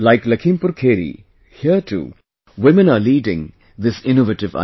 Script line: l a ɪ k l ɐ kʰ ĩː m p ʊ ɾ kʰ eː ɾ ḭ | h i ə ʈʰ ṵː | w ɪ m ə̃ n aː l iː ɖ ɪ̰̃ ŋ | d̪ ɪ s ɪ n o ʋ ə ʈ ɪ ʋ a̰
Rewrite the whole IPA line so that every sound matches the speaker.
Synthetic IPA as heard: l a ɪ k l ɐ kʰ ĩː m p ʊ ɾ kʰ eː ɾ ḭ | h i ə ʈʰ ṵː | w ɪ m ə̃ n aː l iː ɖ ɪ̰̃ ŋ | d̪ ɪ s ɪ n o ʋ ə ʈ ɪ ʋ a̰